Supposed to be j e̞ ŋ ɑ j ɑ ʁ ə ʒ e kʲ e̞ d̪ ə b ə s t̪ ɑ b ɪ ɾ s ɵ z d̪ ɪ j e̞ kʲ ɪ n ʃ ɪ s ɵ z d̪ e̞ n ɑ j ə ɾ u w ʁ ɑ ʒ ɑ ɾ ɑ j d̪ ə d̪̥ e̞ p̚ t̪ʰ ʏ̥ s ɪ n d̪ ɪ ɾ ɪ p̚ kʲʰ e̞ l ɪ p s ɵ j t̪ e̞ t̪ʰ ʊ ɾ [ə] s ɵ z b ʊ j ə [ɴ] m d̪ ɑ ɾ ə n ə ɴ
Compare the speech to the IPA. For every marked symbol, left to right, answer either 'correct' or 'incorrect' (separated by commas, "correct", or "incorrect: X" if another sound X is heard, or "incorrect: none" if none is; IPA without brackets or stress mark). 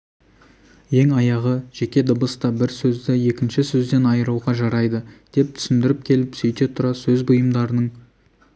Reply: incorrect: ɑ, incorrect: none